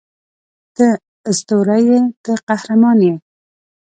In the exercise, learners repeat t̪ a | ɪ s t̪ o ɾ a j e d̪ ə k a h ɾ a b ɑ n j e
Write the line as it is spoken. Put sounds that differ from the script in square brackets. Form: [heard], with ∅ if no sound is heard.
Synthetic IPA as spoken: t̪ [ə] | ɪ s t̪ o ɾ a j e [t̪] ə [q] a h ɾ a [m] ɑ n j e